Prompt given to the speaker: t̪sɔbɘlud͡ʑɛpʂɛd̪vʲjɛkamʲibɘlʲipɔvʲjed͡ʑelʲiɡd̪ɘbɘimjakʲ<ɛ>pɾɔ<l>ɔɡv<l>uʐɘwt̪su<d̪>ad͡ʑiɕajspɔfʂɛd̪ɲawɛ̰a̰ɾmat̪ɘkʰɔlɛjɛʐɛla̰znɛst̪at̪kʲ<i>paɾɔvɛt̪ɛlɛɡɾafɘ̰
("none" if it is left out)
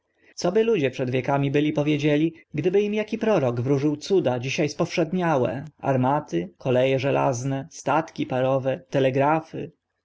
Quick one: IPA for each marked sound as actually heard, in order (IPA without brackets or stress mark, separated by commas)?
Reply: i, ɾ, ɾ, d̪, i